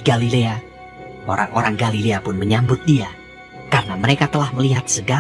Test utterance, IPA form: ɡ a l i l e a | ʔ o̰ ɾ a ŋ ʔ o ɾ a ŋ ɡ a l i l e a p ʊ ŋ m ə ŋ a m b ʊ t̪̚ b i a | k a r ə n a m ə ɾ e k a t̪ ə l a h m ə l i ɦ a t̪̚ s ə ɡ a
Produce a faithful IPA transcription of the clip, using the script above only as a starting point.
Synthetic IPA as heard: ɡ a l i l e a | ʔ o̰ ɾ a ŋ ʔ o ɾ a ŋ ɡ a l i l e a p ʊ n m ə ɲ a m b ʊ t̪̚ d i a | k a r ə n a m ə ɾ e k a t̪ ə l a h m ə l i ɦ a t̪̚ s ə ɡ a